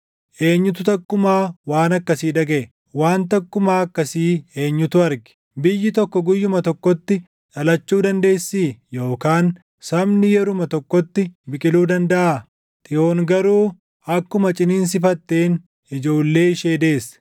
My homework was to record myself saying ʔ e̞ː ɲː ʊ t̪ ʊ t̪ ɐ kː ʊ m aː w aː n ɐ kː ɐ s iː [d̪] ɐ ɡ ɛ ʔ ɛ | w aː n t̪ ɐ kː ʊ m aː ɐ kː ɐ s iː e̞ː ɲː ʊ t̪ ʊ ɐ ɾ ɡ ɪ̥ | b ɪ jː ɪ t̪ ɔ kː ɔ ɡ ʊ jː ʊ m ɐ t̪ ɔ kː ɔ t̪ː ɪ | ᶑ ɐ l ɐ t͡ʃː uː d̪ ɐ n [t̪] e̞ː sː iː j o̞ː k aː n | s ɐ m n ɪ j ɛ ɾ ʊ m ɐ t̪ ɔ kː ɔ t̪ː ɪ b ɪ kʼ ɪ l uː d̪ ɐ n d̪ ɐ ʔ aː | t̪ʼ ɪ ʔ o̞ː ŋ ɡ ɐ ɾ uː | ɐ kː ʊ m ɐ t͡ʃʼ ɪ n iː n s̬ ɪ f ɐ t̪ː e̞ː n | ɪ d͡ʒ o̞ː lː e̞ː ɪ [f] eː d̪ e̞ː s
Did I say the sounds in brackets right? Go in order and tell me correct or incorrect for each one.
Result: correct, incorrect: d̪, incorrect: ʃ

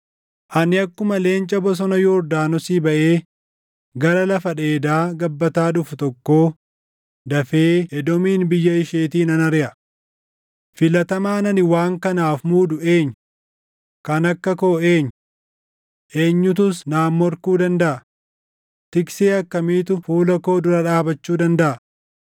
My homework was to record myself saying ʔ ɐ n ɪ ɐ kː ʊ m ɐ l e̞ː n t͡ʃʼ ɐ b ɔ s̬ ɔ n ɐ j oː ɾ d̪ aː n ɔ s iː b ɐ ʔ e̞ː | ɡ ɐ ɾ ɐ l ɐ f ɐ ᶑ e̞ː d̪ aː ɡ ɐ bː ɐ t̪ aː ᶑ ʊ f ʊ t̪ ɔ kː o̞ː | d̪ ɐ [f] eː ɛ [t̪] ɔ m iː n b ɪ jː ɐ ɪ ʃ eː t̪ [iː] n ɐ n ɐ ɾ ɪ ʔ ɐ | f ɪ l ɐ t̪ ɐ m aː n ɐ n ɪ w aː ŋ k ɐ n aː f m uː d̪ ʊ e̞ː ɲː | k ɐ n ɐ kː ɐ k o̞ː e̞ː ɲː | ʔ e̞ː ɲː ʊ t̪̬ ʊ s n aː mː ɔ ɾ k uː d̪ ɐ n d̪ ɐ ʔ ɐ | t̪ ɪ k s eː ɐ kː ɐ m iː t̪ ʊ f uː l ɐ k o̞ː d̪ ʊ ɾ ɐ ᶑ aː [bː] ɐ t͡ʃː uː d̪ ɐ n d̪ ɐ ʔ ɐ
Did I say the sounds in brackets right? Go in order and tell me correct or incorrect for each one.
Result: correct, incorrect: d̪, correct, incorrect: b

